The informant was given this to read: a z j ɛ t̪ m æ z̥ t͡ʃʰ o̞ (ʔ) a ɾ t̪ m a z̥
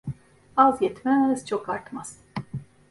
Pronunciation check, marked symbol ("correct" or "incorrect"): incorrect